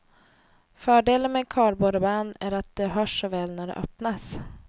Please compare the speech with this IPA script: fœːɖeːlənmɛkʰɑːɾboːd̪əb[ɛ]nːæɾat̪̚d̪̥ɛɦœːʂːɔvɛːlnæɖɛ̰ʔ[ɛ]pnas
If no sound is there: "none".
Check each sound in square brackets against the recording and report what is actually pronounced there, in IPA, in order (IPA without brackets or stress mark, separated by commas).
a, œ